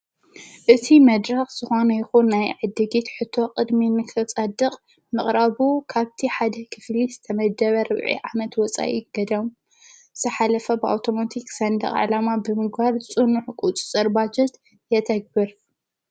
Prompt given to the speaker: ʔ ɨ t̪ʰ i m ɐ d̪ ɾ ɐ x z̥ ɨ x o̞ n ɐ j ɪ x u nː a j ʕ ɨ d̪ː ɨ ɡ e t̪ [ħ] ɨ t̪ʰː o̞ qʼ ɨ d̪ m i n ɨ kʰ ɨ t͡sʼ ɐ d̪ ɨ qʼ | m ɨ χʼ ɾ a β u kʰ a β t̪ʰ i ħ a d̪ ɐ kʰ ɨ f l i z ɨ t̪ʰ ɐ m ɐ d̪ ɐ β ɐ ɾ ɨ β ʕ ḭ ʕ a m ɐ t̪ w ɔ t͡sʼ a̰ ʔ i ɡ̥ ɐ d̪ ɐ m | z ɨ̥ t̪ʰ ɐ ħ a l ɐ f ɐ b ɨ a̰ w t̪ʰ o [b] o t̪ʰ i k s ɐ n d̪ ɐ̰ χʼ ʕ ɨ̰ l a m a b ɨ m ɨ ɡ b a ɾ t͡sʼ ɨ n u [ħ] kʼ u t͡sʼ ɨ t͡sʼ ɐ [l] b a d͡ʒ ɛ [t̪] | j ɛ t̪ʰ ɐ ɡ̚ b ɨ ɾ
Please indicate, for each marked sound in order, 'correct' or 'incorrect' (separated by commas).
correct, incorrect, correct, incorrect, correct